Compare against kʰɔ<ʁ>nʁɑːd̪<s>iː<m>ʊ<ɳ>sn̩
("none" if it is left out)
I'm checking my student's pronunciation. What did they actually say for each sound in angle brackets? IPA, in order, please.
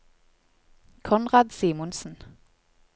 none, s, m, n

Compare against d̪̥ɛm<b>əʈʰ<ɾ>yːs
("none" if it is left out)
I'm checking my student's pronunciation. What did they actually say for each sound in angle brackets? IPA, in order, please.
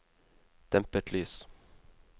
p, l

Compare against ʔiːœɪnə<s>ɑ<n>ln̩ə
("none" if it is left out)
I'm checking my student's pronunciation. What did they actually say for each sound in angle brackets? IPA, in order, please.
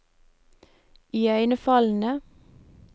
f, none

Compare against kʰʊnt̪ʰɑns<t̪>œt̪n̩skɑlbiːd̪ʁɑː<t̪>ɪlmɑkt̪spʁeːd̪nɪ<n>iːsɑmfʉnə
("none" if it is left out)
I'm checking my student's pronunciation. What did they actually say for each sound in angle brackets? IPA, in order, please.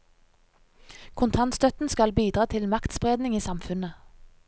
t̪, t̪ʰ, ŋ

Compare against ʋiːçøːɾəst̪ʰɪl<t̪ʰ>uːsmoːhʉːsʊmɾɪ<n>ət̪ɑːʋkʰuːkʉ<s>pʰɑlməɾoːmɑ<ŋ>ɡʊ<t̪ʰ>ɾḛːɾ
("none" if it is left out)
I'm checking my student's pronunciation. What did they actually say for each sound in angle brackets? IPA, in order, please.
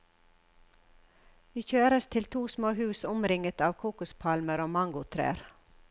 t̪ʰ, ŋ, s, ŋ, t̪ʰ

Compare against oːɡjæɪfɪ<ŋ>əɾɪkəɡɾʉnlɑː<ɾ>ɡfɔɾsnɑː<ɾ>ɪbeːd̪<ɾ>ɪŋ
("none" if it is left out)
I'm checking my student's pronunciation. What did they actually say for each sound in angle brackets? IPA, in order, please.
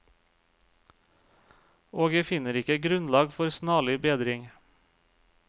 n, none, ɭ, ɾ

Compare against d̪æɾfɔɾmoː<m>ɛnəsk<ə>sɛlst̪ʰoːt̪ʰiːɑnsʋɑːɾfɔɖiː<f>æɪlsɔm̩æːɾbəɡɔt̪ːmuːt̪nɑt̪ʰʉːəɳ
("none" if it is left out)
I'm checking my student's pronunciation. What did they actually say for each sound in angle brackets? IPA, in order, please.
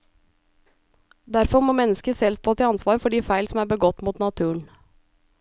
m, ə, f

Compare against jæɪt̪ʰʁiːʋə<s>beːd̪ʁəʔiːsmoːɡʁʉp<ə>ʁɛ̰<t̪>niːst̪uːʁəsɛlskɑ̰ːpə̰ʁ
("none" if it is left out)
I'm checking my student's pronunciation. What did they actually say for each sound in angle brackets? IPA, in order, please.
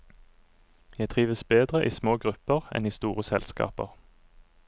s, ə, none

